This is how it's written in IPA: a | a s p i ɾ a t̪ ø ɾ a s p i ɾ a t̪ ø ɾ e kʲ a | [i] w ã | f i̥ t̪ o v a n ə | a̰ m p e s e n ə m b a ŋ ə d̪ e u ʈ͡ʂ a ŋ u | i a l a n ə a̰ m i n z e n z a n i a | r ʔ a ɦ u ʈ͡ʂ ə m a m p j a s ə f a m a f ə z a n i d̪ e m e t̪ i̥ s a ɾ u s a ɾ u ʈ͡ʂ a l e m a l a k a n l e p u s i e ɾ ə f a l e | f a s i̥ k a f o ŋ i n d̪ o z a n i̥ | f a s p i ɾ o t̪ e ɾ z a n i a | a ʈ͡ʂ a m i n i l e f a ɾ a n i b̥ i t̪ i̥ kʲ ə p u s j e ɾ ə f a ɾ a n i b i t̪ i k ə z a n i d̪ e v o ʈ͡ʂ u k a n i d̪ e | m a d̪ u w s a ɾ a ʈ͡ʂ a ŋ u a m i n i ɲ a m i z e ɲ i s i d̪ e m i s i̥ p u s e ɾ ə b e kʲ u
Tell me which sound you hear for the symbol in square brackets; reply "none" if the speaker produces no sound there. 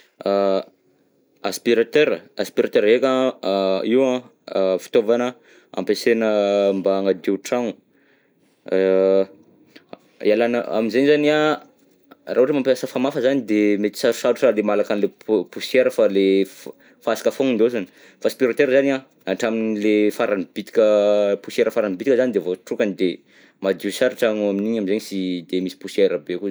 i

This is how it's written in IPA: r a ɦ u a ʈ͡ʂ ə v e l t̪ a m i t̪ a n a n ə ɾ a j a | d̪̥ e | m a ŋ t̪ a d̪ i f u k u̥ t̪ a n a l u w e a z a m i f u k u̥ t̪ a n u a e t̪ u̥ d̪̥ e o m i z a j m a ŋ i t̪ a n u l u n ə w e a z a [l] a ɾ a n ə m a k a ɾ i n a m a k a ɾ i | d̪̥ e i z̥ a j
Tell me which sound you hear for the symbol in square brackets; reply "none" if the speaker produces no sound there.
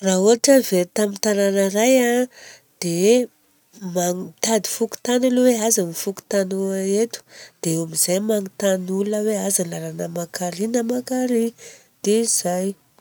l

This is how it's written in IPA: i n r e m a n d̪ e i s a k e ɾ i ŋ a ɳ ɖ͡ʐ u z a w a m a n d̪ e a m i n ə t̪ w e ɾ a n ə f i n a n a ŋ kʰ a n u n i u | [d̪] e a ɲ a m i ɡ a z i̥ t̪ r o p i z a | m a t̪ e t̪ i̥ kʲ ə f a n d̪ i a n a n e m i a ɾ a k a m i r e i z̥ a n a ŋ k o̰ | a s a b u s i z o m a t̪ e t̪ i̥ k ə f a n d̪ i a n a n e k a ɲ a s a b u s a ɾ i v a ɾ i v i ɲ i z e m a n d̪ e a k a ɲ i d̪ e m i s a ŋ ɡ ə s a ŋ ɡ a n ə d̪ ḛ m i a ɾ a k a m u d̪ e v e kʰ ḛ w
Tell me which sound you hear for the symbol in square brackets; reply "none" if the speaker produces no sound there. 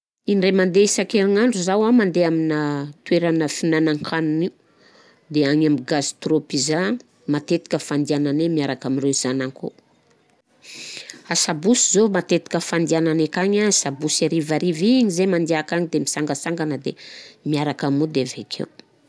d̪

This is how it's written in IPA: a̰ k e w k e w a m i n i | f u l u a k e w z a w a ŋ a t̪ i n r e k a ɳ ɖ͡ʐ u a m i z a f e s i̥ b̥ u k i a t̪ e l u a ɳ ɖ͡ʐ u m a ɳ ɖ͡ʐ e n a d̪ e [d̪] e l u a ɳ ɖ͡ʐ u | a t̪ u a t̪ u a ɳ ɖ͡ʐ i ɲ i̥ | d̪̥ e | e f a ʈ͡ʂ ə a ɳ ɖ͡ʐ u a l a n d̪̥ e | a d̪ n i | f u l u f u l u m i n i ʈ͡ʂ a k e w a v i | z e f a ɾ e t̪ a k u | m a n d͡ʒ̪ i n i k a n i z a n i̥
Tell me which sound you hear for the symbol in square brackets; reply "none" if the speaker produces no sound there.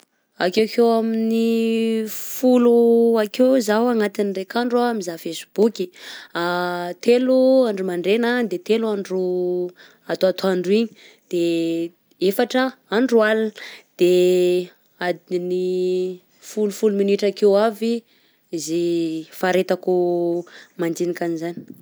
t̪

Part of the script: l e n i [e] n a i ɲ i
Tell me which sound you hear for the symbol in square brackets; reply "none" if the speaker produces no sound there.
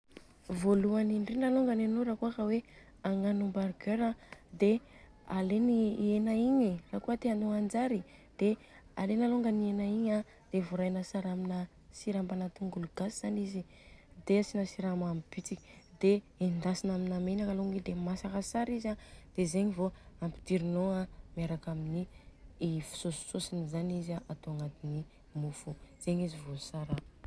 e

